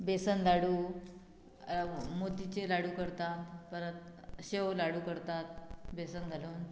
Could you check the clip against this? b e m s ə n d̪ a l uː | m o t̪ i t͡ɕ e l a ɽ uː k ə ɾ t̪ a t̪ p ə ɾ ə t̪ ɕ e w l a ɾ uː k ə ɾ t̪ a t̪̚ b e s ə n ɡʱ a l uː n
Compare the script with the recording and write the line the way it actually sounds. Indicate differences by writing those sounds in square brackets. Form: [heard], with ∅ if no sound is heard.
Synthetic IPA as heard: b e [∅] s ə n d̪ a [ɽ] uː | m o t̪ i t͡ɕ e l a ɽ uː k ə ɾ t̪ a t̪ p ə ɾ ə t̪ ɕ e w l a [ɽ] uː k ə ɾ t̪ a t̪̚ b e s ə n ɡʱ a l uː n